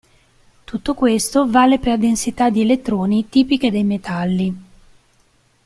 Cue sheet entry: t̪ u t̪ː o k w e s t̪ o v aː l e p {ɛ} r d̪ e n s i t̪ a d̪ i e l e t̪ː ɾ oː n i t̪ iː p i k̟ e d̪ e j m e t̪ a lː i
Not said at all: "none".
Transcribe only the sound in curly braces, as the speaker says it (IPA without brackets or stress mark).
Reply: e